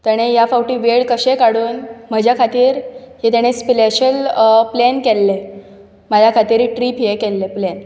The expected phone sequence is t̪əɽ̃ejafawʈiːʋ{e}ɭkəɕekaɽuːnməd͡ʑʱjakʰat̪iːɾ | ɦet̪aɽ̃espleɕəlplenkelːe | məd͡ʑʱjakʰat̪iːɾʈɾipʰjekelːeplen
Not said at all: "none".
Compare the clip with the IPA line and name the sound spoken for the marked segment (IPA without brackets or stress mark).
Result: e